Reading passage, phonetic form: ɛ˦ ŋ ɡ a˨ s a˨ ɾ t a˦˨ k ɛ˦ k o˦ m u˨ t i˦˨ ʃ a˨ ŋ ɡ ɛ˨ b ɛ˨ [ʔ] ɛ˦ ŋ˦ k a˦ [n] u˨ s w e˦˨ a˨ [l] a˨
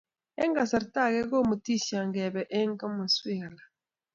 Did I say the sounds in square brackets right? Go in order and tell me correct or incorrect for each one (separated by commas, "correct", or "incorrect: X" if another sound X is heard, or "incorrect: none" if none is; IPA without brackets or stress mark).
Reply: correct, incorrect: m, correct